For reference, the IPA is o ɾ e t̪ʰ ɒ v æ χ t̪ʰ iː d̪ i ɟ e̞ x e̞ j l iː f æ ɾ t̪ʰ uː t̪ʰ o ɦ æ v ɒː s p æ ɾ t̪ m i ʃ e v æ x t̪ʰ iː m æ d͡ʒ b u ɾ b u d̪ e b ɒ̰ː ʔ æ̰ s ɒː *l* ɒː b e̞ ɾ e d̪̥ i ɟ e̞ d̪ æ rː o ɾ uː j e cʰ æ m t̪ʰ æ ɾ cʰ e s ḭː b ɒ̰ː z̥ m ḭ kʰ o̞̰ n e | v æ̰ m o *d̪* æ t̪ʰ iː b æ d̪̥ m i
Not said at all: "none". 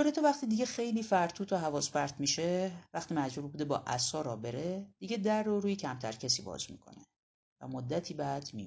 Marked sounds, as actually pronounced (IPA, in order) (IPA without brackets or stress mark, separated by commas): ɾ, d̪ː